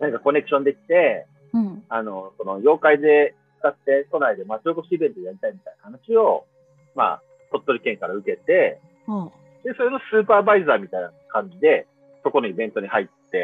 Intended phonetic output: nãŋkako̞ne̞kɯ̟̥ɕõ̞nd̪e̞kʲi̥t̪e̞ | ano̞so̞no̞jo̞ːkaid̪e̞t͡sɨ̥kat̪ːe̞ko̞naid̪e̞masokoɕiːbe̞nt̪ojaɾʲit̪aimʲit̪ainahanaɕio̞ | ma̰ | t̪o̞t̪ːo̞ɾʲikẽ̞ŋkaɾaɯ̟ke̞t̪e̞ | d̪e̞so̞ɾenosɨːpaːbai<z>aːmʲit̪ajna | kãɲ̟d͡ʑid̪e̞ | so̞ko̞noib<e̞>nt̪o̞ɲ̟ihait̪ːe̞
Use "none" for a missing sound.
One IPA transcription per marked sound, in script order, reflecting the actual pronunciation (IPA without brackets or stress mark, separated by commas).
z, ẽ̞